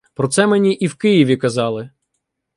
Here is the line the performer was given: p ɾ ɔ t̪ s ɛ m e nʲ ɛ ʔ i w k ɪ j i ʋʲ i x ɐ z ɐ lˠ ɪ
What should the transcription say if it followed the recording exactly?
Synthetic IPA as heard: p ɾ ɔ t̪ s ɛ m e nʲ i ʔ i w k ɪ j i ʋʲ i k ɐ z ɑ lˠ ɪ